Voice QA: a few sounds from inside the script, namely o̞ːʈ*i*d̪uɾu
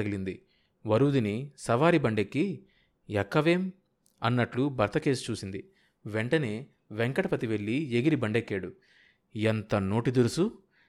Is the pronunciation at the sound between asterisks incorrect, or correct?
correct